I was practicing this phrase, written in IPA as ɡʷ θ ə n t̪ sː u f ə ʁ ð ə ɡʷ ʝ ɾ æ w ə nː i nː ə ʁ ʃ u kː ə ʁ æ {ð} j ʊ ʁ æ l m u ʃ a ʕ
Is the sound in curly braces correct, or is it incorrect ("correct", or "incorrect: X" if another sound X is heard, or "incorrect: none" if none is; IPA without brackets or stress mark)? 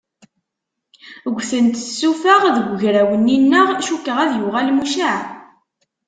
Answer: correct